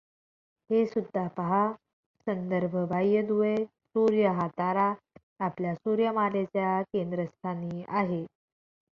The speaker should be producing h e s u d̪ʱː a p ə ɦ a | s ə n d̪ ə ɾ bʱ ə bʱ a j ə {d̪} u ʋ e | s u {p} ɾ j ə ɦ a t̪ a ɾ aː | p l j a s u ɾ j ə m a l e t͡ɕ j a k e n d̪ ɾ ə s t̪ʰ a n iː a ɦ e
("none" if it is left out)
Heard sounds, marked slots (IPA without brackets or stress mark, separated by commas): d̪, none